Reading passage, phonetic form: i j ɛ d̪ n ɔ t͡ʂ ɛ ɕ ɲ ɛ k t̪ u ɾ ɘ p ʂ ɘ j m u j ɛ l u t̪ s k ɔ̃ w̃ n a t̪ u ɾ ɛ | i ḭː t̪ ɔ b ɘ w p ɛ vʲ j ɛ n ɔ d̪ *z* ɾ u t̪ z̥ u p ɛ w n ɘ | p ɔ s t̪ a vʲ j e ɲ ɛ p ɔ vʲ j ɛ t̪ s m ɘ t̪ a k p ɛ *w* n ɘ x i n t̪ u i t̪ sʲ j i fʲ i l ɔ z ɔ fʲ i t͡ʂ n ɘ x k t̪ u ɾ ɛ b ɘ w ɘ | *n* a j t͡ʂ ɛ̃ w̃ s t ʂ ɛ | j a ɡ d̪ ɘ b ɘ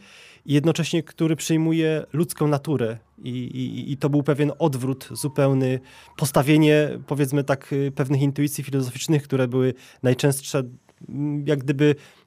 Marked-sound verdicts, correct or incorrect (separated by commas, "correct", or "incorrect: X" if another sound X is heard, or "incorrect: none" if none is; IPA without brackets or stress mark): incorrect: v, incorrect: v, correct